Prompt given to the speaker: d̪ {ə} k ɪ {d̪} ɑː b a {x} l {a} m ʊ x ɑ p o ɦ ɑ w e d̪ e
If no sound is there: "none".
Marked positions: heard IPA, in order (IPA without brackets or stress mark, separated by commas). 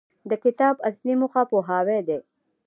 ə, t̪, s, i